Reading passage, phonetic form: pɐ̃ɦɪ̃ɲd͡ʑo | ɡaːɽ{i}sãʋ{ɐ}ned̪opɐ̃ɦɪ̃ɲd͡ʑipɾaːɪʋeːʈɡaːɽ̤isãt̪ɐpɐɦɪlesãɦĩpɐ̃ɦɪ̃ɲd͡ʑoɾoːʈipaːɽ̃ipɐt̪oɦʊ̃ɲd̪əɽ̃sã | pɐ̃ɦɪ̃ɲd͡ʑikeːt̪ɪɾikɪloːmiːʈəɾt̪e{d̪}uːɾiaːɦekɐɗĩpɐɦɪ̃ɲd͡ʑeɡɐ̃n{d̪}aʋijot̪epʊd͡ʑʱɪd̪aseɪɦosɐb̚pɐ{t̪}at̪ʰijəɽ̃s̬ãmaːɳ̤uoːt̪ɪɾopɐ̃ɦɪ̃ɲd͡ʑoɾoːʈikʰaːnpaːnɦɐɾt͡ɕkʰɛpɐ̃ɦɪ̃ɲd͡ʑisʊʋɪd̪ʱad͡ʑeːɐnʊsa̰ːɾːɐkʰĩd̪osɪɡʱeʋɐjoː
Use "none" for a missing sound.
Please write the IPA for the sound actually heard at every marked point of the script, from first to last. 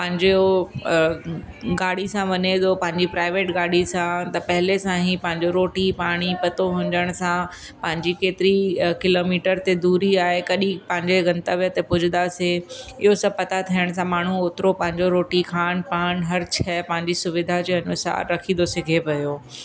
i, ɐ, d̪, t̪, t̪

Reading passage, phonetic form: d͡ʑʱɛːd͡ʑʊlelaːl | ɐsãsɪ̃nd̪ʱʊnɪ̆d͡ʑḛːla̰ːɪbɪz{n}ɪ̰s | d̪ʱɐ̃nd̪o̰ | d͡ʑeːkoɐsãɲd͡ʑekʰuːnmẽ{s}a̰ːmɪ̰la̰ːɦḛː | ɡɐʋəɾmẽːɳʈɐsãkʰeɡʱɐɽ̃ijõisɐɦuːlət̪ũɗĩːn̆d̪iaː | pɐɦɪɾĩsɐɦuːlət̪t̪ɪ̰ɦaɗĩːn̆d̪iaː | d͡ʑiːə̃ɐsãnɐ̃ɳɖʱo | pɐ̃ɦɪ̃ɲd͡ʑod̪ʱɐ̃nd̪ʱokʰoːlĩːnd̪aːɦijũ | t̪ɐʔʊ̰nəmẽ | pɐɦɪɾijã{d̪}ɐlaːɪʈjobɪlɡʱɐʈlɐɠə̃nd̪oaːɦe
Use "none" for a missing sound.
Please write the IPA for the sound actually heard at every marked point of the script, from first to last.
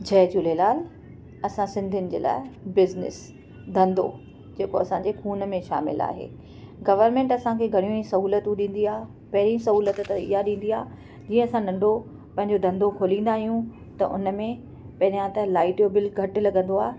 n, ʃ, t̪

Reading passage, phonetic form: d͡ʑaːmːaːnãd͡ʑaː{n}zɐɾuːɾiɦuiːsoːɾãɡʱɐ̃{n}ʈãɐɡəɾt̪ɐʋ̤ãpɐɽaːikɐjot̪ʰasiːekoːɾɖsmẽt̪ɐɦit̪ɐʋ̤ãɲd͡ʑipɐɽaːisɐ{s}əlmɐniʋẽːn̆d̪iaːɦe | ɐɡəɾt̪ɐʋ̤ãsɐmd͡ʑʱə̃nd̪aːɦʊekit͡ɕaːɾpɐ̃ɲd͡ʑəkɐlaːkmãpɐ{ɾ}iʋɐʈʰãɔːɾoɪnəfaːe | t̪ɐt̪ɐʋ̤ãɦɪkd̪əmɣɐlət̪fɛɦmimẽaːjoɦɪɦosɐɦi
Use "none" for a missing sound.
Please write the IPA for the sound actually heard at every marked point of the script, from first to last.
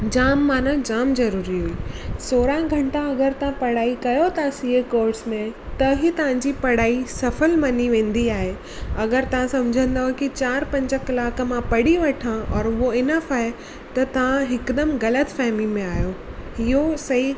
m, ɳ, f, ɽ

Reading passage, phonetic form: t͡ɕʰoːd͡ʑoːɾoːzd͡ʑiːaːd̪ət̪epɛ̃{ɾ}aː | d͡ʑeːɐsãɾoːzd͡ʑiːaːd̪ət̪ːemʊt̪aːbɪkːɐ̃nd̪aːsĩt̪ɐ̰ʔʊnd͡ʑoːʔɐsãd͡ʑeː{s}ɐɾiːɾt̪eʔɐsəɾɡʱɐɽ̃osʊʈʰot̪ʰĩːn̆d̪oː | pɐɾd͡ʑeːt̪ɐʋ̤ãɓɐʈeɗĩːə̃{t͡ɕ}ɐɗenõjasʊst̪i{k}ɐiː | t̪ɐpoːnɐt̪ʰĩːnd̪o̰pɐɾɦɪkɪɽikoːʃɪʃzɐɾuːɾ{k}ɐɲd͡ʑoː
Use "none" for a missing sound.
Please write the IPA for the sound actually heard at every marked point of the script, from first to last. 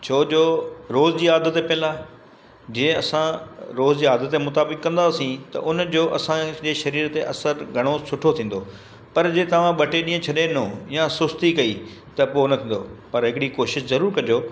l, ʃ, t͡ɕʰ, k, k

